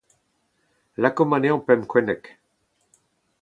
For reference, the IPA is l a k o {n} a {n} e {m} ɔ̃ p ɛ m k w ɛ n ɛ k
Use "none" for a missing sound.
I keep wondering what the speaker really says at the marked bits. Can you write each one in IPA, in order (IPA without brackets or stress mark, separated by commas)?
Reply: m, n, none